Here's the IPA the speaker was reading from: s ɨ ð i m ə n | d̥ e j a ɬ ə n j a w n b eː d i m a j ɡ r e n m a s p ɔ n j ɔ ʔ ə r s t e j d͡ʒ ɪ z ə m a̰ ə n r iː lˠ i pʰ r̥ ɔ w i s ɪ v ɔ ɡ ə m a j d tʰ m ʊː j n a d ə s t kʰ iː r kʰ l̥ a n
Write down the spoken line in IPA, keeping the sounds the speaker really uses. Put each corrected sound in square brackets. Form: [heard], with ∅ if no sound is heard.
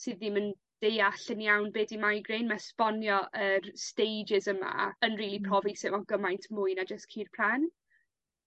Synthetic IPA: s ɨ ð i m ə n | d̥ e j a ɬ ə n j a w n b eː d i m a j ɡ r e n m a s p ɔ n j ɔ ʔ ə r s t e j d͡ʒ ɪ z ə m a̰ ə n r iː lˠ i pʰ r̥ ɔ [v] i s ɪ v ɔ ɡ ə m a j [n] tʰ m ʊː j n a [d͡ʒ] ə s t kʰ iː r [pʰ] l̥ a n